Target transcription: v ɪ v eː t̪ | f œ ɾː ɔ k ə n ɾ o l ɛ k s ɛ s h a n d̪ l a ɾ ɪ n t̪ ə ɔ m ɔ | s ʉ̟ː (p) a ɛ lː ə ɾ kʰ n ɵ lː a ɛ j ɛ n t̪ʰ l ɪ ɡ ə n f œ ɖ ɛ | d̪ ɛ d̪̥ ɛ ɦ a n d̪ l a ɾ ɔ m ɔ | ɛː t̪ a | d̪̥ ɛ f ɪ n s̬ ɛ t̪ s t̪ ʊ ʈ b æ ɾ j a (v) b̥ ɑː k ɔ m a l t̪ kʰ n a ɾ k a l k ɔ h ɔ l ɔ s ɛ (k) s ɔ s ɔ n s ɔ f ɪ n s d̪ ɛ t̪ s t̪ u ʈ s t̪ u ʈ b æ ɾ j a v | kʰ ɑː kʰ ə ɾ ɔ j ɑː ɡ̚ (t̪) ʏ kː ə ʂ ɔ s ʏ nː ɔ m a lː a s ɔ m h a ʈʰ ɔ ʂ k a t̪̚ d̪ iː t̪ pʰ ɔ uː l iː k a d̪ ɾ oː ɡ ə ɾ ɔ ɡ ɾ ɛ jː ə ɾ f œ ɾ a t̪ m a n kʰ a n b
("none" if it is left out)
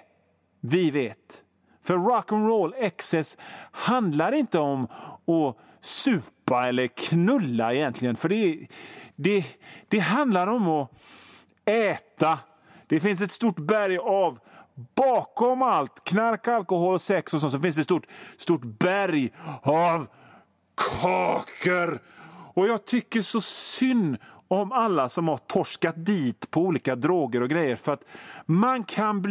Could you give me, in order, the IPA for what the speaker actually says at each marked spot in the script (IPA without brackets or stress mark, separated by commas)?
p, v, k, t̪ʰ